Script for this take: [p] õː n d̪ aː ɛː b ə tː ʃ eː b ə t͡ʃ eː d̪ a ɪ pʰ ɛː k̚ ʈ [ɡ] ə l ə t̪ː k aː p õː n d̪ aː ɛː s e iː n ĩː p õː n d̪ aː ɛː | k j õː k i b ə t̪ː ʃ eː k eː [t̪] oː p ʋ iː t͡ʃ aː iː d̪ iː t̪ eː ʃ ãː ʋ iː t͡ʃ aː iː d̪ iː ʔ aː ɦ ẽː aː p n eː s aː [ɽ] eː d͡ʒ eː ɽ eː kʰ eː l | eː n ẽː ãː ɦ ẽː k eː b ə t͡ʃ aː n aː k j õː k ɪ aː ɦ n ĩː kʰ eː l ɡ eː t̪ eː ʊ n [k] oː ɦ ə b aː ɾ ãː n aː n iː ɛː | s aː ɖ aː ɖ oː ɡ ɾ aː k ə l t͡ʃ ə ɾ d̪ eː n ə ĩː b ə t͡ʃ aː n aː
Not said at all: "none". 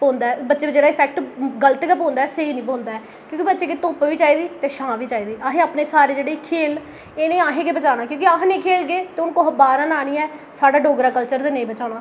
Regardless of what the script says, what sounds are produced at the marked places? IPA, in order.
p, ɡ, t̪, ɾ, k

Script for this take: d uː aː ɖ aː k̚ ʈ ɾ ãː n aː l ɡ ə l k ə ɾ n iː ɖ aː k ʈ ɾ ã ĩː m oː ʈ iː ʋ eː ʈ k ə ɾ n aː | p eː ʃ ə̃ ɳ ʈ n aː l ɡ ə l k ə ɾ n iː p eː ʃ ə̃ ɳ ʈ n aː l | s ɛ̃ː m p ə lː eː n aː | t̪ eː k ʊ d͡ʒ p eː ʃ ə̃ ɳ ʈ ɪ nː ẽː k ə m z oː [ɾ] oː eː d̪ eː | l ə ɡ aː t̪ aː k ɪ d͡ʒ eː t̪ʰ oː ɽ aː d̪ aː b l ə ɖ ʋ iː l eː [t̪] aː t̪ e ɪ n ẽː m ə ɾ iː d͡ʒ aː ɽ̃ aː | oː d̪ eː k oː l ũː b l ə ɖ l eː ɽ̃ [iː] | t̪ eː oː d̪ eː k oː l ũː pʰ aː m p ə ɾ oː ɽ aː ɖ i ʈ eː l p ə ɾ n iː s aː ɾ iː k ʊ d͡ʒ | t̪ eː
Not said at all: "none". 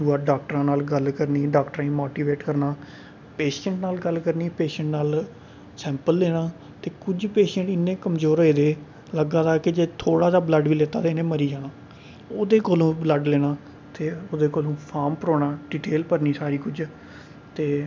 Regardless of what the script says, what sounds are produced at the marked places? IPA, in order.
ɾ, t̪, aː

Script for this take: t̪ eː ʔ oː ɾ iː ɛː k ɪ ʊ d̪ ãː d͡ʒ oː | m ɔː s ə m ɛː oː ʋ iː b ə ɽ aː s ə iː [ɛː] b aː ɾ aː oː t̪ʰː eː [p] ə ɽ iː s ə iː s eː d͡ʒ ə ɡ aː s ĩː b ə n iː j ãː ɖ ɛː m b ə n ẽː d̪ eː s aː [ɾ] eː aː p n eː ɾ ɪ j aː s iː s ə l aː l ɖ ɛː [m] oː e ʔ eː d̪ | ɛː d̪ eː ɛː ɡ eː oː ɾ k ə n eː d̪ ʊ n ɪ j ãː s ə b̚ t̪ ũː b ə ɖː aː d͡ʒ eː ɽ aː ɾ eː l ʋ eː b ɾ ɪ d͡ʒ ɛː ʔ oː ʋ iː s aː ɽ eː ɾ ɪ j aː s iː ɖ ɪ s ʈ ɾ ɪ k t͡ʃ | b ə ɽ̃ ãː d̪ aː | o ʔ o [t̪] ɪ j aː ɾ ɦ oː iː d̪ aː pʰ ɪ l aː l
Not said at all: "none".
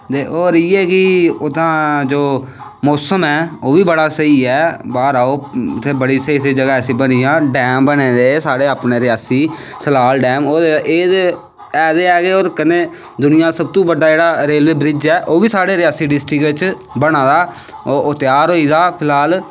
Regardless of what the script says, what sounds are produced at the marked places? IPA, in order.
ɛː, b, ɽ, m, t̪

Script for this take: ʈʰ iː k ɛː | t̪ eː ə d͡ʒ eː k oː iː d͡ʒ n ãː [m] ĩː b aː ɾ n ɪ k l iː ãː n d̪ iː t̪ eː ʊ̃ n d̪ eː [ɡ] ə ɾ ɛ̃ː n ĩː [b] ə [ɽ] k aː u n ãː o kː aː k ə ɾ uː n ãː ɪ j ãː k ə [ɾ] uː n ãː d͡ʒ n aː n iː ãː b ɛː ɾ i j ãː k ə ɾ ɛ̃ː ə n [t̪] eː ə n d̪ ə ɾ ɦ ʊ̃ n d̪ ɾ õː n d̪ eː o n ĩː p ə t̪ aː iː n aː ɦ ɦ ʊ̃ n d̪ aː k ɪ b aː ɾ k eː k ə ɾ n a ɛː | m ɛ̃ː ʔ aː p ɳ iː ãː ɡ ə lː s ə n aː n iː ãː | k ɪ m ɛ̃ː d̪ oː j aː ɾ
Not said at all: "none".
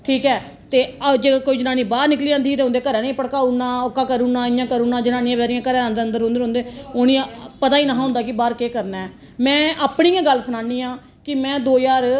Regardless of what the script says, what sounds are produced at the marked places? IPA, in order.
n, k, p, ɽ, ɾ, d̪

